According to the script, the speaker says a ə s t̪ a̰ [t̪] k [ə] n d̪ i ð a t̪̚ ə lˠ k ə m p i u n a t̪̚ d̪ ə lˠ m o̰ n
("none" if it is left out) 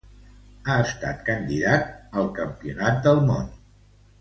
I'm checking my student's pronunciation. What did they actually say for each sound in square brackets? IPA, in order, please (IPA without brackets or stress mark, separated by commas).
t̪, ə